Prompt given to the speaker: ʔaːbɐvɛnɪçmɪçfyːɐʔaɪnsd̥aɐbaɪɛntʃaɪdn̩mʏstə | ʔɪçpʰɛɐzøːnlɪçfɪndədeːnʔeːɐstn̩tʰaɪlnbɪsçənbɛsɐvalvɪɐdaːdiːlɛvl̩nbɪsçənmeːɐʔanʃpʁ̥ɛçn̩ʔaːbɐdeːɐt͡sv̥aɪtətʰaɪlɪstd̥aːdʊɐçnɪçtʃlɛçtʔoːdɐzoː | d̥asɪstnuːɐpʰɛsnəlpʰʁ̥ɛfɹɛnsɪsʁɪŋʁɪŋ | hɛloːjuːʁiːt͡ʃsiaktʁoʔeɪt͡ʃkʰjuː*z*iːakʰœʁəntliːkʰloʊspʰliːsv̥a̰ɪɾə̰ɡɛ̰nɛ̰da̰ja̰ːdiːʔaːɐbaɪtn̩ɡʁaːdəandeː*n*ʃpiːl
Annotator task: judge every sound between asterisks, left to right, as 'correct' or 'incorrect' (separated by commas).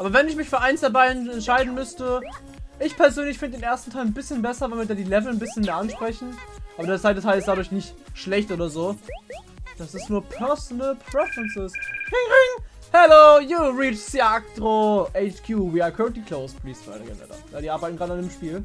incorrect, incorrect